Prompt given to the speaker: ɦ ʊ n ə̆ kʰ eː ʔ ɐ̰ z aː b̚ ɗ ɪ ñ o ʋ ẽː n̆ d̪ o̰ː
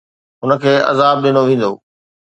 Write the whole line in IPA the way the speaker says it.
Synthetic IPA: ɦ ʊ n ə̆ kʰ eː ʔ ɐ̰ z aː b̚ ɗ ɪ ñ o ʋ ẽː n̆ d̪ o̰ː